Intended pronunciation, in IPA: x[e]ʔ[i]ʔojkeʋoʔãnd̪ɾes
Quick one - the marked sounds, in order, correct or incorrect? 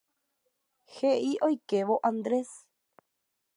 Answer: correct, correct

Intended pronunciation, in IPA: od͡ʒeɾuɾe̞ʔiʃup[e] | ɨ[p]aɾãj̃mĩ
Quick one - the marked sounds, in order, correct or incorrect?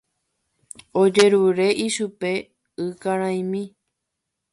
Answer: correct, incorrect: k

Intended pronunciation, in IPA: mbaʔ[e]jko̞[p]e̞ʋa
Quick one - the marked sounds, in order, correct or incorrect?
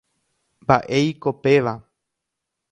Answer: correct, correct

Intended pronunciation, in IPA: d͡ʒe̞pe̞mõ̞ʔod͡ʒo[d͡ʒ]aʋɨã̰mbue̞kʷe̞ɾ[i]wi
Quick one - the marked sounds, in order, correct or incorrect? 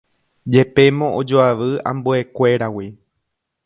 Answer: incorrect: none, incorrect: a

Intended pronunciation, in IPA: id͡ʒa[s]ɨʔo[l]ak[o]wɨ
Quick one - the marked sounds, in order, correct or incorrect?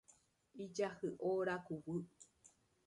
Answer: incorrect: h, incorrect: ɾ, incorrect: u

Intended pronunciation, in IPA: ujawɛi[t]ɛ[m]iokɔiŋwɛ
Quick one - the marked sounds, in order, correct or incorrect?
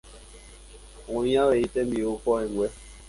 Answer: correct, correct

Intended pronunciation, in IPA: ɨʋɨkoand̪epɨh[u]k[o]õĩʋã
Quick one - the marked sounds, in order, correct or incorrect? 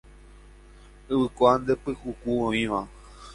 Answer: correct, incorrect: u

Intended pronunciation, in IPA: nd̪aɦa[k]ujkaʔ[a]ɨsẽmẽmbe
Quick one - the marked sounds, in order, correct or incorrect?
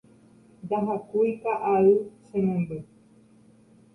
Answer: correct, correct

